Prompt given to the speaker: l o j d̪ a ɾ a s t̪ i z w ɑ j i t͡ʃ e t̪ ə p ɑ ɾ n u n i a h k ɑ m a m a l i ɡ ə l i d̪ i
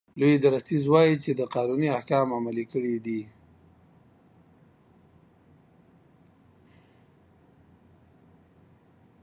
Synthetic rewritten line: l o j d̪ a ɾ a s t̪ i z w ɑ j i t͡ʃ e d̪ ə q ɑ n u n i a h k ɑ m a m a l i k ə ɽ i d̪ i